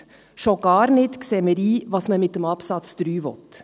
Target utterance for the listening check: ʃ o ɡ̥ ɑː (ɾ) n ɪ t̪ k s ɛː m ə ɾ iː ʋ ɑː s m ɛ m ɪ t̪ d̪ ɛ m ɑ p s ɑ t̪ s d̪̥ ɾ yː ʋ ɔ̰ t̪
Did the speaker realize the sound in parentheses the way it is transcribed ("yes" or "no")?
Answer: yes